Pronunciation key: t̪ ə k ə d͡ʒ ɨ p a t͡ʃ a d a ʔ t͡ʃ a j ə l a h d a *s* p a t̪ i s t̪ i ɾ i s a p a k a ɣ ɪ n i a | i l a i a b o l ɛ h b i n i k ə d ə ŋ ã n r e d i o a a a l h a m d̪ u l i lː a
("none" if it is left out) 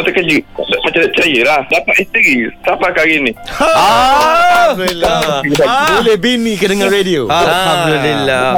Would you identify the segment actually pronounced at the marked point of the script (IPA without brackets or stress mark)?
none